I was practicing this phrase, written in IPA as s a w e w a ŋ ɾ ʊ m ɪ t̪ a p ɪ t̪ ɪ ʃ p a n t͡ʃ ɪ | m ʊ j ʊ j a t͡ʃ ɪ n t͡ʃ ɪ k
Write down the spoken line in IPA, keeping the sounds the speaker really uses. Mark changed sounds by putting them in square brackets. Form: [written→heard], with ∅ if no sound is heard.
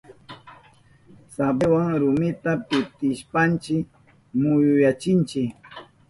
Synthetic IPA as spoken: s a [w→b] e w a ŋ ɾ ʊ m ɪ t̪ a p ɪ t̪ ɪ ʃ p a n t͡ʃ ɪ | m ʊ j ʊ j a t͡ʃ ɪ n t͡ʃ ɪ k